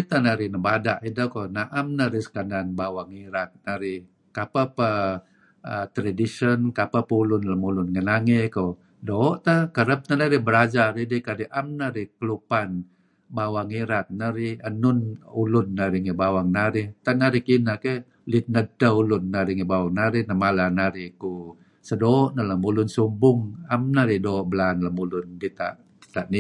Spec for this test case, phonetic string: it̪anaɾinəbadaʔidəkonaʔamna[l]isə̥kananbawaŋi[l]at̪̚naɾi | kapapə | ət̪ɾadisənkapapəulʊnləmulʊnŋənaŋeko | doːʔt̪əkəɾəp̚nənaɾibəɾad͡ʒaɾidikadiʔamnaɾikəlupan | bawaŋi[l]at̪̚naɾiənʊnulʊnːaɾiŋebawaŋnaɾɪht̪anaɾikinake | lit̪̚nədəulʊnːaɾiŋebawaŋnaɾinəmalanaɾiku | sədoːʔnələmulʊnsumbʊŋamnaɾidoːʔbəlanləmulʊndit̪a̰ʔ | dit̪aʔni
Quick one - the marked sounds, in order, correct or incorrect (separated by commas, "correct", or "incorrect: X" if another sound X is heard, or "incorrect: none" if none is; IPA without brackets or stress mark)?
incorrect: ɾ, incorrect: ɾ, incorrect: ɾ